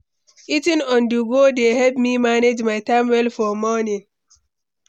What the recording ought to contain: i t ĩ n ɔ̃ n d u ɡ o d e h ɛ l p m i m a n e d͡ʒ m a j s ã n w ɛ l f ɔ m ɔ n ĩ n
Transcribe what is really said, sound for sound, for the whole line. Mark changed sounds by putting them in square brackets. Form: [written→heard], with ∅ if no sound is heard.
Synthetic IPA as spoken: i t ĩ n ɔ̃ n d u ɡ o d e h ɛ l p m i m a n e d͡ʒ m a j [s→t] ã [n→m] w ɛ l f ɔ m ɔ n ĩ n